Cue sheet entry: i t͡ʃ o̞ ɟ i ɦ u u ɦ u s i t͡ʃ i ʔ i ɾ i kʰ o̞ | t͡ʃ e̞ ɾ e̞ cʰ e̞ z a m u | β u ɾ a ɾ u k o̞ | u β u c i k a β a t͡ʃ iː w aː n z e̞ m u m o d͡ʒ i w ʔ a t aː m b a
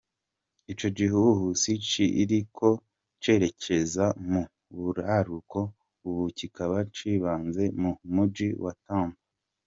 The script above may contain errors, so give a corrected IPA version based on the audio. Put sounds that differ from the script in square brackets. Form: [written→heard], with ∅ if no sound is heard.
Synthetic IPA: i t͡ʃ o̞ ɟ i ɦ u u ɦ u s i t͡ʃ i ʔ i ɾ i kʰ o̞ | t͡ʃ e̞ ɾ e̞ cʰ e̞ z a m u | β u ɾ a ɾ u k o̞ | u β u c i k a β a t͡ʃ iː [w→β] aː n z e̞ m u m [o→u] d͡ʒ i w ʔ a t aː m b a